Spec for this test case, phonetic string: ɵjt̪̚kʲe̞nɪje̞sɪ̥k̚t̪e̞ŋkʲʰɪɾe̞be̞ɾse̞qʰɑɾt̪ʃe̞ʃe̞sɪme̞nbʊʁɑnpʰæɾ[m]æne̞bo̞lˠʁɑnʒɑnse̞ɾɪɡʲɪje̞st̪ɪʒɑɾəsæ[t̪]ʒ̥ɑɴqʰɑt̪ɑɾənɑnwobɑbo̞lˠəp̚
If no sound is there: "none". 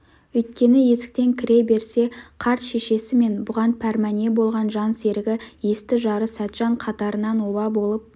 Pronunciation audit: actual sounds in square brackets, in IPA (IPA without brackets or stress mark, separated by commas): m, t̪